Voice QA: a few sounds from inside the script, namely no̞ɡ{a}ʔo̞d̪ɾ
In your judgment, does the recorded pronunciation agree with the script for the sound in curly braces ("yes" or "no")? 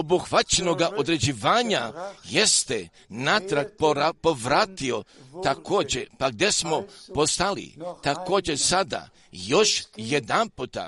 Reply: yes